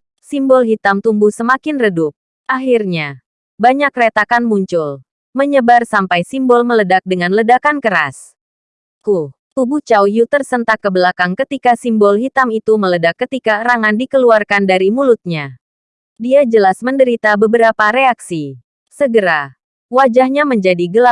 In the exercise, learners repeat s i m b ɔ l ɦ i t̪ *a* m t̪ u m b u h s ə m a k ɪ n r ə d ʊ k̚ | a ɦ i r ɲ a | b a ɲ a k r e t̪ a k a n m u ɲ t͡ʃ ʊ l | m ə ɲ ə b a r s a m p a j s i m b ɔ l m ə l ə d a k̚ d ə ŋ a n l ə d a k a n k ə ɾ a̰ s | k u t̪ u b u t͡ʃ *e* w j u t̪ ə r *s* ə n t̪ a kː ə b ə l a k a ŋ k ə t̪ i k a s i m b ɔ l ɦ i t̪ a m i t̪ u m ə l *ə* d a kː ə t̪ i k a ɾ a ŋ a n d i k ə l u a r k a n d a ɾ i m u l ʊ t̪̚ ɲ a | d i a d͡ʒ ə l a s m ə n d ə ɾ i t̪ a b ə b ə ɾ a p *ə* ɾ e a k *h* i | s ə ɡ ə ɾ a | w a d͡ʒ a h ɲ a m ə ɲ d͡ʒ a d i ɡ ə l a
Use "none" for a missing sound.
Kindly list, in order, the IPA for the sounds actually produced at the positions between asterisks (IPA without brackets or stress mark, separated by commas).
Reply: a, a, s, ə, a, s